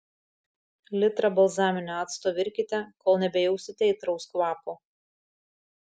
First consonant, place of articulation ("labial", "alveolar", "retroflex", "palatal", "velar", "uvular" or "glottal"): alveolar